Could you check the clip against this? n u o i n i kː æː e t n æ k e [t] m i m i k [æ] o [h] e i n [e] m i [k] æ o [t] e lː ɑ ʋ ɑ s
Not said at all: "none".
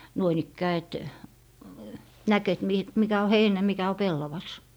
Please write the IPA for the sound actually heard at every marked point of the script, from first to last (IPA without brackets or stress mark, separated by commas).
t, æ, h, æ, k, p